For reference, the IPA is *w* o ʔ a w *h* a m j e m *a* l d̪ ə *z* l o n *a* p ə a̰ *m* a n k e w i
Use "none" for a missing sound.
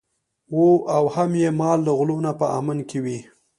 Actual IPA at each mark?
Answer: w, h, ɑ, ɣ, a, m

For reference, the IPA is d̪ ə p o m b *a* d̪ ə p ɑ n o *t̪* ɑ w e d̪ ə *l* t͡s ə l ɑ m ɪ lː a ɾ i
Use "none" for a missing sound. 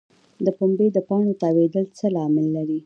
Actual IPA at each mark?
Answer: e, t̪, l

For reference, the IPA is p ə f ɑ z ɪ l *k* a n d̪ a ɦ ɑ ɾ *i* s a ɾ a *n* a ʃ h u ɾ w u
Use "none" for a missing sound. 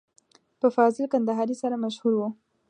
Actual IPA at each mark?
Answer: k, i, m

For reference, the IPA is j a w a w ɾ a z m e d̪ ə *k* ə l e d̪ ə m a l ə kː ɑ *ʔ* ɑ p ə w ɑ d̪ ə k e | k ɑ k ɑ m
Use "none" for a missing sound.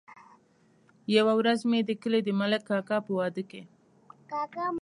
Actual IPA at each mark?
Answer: k, k

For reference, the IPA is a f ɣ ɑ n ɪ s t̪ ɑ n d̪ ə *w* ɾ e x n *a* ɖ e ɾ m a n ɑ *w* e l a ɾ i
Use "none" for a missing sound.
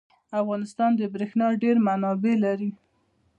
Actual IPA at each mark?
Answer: b, ɑ, b

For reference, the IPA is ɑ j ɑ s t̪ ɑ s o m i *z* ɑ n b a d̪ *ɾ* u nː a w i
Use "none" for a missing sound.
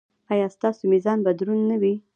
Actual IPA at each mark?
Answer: z, ɾ

